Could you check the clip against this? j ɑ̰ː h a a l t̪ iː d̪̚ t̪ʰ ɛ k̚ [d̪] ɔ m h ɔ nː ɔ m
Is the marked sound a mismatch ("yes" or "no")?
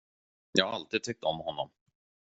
yes